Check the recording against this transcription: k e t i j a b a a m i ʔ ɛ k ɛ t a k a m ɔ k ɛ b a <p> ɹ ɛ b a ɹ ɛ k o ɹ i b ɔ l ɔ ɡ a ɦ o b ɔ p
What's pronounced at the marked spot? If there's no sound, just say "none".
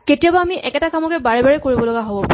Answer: none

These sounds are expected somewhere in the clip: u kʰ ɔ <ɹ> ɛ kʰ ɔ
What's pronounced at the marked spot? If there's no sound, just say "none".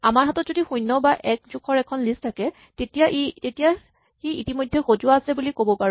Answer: ɹ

